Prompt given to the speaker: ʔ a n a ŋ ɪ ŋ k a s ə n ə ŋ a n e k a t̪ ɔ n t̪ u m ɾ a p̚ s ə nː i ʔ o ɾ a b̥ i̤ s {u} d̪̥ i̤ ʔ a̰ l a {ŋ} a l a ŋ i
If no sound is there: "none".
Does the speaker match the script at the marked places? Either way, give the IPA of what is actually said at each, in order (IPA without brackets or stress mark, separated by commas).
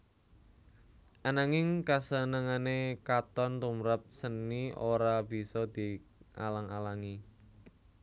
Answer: ɔ, ŋ